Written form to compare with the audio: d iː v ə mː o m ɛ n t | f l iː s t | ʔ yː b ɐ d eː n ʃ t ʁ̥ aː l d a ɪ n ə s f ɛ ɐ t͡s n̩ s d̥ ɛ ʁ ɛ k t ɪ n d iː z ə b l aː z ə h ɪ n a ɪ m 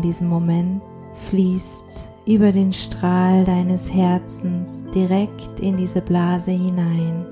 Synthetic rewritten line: d iː z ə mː o m ɛ n t | f l iː s t | ʔ yː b ɐ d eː n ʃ t ʁ̥ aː l d a ɪ n ə s h ɛ ɐ t͡s n̩ s d̥ i ʁ ɛ k t ɪ n d iː z ə b l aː z ə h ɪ n a ɪ n